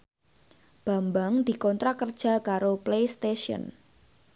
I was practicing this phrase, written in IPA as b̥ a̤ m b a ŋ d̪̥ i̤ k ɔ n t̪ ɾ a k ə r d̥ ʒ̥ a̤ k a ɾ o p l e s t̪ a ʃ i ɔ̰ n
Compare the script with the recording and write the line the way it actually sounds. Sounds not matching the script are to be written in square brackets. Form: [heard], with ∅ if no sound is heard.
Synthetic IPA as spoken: b̥ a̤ m b a ŋ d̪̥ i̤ k ɔ n t̪ ɾ a k ə r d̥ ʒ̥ a̤ k a ɾ o p l e s t̪ [e] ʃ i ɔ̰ n